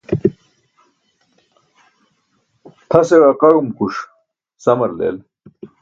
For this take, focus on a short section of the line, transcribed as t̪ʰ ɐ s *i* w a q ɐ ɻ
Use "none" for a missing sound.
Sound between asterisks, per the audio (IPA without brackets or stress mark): e